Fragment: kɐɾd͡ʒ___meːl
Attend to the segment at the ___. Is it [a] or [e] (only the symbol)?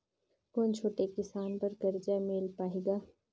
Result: a